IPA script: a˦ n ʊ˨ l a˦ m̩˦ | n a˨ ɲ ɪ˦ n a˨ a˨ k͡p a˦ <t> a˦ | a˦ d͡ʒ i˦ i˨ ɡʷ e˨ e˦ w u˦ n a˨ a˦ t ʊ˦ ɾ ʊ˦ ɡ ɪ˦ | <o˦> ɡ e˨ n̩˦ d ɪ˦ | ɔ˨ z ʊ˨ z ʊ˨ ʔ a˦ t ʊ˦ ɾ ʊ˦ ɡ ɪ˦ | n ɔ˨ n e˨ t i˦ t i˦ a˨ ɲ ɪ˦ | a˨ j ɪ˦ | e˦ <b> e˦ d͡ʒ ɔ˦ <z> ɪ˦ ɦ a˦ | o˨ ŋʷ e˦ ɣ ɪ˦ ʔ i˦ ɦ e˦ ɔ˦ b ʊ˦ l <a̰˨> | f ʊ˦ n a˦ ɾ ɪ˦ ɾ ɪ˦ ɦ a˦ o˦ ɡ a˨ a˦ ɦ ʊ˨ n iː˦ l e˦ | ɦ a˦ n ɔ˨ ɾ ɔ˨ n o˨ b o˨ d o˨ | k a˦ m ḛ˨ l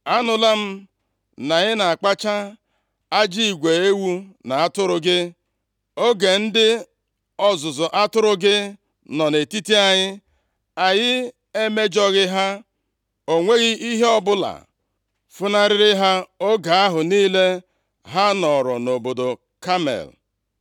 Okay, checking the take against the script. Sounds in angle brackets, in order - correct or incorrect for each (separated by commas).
incorrect, correct, incorrect, incorrect, correct